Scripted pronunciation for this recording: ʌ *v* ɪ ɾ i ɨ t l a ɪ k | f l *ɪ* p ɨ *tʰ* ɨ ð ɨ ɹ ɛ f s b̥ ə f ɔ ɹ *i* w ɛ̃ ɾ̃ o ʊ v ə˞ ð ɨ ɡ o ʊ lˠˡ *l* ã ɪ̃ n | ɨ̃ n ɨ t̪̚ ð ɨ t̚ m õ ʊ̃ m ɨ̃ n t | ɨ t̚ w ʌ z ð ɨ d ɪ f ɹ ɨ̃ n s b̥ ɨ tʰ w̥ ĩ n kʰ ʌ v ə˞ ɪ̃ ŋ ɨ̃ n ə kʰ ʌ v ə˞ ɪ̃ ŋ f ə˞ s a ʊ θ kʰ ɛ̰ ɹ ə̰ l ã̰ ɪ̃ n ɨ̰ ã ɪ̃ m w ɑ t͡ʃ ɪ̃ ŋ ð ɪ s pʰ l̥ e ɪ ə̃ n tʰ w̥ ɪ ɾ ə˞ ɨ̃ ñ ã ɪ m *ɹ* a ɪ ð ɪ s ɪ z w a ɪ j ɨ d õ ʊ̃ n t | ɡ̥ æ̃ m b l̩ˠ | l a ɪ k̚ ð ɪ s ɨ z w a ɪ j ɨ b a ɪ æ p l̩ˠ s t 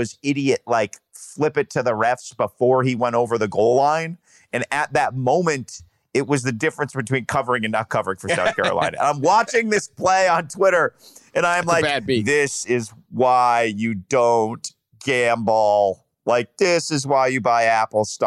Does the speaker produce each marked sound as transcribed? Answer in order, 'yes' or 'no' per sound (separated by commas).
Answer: no, yes, yes, yes, yes, no